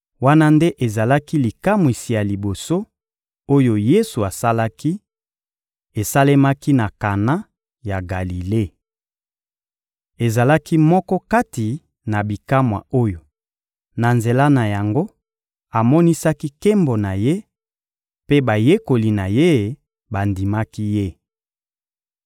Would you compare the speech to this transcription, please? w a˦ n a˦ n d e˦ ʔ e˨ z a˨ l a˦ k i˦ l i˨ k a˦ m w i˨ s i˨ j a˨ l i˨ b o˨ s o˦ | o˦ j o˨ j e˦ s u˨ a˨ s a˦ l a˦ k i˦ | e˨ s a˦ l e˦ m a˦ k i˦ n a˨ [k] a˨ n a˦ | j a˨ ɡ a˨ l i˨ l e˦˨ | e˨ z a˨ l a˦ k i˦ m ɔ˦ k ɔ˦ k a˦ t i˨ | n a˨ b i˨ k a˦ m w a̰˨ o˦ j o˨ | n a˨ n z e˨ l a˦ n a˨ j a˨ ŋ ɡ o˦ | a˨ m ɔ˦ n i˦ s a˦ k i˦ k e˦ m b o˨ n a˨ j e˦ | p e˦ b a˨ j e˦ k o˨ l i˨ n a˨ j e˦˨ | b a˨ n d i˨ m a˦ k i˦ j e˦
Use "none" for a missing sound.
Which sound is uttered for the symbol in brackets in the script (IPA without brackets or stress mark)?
k